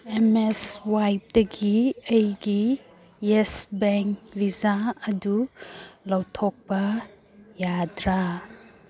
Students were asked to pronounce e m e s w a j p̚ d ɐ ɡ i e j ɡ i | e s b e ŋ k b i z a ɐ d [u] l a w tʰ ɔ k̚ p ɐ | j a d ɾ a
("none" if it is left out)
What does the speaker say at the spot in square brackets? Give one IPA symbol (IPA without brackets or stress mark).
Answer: u